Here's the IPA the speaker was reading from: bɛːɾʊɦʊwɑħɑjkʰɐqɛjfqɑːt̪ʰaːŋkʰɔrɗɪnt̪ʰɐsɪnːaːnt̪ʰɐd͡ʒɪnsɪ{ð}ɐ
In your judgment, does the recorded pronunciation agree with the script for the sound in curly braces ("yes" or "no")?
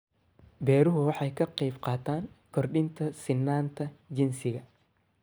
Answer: no